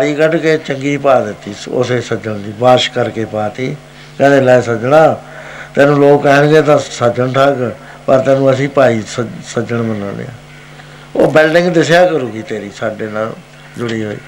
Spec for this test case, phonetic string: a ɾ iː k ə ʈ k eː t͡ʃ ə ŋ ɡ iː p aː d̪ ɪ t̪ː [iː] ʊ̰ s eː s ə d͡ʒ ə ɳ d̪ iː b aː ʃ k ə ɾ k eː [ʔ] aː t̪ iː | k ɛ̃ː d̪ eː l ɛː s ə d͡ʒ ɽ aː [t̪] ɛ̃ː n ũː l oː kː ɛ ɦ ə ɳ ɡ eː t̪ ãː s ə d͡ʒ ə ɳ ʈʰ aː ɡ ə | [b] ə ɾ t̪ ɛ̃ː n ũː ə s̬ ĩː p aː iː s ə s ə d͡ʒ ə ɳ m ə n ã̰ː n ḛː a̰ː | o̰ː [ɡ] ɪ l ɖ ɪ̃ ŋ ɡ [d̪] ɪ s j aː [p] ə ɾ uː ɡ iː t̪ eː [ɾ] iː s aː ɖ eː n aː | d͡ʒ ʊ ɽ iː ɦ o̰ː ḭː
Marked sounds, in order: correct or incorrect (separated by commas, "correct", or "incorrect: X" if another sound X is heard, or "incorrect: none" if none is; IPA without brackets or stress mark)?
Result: correct, incorrect: p, correct, incorrect: p, incorrect: b, correct, incorrect: k, correct